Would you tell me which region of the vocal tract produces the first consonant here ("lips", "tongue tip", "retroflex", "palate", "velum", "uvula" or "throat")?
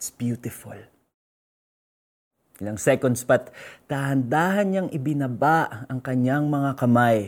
tongue tip